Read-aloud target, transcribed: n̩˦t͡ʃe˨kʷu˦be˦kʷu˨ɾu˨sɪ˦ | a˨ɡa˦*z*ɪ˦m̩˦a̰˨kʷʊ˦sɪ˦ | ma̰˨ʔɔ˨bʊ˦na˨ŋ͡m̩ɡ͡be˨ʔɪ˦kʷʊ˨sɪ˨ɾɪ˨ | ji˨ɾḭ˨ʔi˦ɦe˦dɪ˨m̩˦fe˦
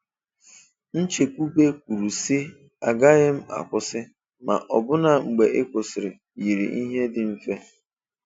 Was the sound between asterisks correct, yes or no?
no